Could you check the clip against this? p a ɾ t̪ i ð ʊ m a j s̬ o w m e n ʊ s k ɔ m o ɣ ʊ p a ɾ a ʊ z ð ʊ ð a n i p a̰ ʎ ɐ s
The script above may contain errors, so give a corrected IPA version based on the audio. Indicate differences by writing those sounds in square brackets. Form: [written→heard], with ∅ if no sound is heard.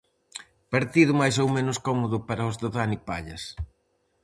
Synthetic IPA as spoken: p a ɾ t̪ i ð ʊ m a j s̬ o w m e n ʊ s k ɔ m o [ɣ→ð] ʊ p a ɾ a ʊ z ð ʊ ð a n i p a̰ ʎ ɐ s